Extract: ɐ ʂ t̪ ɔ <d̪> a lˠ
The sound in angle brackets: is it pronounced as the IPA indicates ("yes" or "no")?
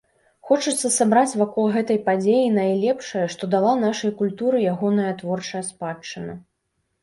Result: yes